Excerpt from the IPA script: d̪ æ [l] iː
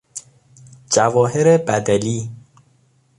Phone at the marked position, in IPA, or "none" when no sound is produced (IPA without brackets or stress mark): l